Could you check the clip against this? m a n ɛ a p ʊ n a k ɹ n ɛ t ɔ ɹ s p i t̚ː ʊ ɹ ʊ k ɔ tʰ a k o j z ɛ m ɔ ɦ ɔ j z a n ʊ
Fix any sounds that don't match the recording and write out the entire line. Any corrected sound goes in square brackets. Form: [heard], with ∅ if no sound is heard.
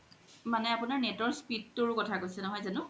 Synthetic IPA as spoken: m a n ɛ a p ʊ n a [∅] ɹ n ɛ t ɔ ɹ s p i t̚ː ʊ ɹ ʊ k ɔ tʰ a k o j [s] ɛ [n] ɔ ɦ ɔ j z a n ʊ

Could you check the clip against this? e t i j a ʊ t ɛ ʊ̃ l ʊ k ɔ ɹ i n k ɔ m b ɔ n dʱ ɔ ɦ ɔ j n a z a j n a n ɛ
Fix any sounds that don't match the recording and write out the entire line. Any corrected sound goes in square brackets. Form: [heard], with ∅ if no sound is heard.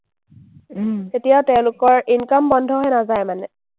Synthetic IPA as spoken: e t i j a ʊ t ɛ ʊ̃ l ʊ k ɔ ɹ i n k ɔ m b ɔ n dʱ ɔ ɦ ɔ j n a z a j [m] a n ɛ

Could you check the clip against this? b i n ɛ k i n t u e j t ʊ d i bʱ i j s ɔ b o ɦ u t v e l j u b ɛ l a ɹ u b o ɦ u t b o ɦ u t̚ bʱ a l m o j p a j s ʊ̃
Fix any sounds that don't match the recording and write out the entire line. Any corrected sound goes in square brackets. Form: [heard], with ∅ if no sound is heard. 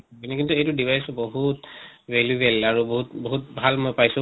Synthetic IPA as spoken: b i n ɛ k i n t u e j t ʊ d i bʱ [a] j s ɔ b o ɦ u t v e l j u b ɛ l a ɹ u b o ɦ u t b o ɦ u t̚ bʱ a l m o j p a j s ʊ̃

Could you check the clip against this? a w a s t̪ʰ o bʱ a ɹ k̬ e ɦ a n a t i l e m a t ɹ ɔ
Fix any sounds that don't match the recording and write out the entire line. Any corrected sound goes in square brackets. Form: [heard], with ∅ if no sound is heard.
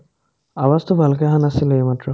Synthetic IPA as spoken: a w a s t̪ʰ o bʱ a [l] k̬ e ɦ a n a [s] i l e m a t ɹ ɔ

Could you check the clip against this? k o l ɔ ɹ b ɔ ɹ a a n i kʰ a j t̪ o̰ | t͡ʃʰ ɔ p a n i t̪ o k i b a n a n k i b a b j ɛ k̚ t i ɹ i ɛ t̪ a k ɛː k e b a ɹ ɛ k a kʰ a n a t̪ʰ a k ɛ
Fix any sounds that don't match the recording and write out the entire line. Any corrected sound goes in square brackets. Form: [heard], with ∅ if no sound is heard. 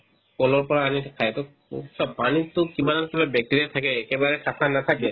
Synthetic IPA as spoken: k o l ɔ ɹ [p] ɔ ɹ a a n i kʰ a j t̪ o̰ | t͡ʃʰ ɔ p a n i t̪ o k i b a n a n k i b a b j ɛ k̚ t i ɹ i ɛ [t̪ʰ] a k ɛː k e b a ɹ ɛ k a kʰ a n a t̪ʰ a k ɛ

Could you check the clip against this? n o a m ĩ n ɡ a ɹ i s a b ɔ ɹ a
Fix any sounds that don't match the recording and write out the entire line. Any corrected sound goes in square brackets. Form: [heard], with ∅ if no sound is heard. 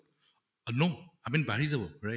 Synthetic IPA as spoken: n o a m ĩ n [b] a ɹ i [z] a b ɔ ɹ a

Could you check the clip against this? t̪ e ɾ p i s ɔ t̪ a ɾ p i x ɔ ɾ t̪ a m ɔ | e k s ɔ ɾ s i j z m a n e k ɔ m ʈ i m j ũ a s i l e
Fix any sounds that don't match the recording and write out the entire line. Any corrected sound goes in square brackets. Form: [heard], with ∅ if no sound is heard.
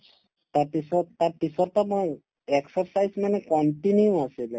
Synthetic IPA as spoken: t̪ [a] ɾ p i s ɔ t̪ a ɾ p i [s] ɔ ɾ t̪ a m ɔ | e k s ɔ ɾ s [a] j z m a n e k ɔ [ɳ] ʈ i [n] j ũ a s i l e

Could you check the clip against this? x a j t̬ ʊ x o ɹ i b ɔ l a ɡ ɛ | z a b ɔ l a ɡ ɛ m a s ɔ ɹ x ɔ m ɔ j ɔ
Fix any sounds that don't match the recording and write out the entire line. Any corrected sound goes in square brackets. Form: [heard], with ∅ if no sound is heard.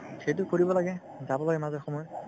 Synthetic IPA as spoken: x [e] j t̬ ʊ [k] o ɹ i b ɔ l a ɡ ɛ | z a b ɔ l a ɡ ɛ m a [z] ɔ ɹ x ɔ m ɔ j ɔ

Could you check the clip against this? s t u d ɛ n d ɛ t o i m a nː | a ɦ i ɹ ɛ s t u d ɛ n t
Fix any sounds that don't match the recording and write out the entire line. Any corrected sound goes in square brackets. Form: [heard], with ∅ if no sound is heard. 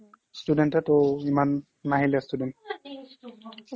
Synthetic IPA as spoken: s t u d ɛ n [t] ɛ t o i m a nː | a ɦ i [l] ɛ s t u d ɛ n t

